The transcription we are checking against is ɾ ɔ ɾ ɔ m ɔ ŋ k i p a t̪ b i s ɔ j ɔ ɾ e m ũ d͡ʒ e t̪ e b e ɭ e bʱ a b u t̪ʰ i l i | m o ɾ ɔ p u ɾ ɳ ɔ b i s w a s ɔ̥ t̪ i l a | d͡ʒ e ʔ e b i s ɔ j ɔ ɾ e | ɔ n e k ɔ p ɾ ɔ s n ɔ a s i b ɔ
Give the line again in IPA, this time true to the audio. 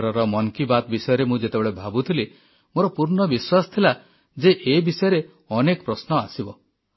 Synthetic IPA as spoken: ɾ ɔ ɾ ɔ m ɔ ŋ k i b a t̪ b i s ɔ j ɔ ɾ e m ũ d͡ʒ e t̪ e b e ɭ e bʱ a b u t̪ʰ i l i | m o ɾ ɔ p u ɾ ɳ ɔ b i s w a s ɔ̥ t̪ʰ i l a | d͡ʒ e ʔ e b i s ɔ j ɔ ɾ e | ɔ n e k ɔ p ɾ ɔ s n ɔ a s i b ɔ